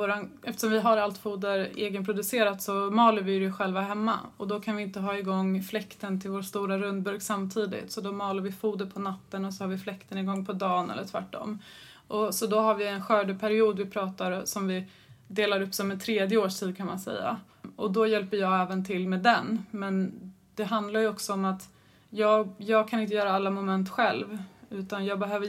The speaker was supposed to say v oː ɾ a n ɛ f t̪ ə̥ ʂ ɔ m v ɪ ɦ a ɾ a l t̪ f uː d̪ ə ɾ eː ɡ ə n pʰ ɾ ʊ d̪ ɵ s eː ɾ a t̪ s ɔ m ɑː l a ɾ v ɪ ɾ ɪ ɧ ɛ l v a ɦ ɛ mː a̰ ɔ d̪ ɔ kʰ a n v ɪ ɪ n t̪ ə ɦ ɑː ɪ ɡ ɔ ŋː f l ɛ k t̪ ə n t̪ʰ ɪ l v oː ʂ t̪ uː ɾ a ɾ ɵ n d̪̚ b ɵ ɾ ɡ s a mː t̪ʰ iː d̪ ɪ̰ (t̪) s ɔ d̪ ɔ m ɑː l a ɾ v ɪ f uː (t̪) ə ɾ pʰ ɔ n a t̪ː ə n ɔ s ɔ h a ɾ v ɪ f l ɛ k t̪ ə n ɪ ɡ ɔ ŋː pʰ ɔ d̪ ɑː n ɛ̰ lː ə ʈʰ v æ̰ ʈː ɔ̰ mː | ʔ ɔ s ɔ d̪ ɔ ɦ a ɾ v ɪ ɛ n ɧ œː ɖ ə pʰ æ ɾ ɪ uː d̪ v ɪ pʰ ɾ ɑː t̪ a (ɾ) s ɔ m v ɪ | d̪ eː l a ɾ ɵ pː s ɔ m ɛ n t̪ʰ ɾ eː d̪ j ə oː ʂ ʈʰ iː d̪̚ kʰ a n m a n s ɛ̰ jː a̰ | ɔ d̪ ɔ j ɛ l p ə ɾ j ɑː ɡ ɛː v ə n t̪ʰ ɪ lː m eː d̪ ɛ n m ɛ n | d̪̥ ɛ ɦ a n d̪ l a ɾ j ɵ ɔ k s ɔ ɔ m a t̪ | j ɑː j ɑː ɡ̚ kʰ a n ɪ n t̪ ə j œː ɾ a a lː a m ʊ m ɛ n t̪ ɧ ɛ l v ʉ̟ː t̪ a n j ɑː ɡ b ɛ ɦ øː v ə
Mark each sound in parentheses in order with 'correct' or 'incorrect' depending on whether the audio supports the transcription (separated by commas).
correct, incorrect, correct